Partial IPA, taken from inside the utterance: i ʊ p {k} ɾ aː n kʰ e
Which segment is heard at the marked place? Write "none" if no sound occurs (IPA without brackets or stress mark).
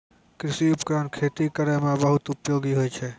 k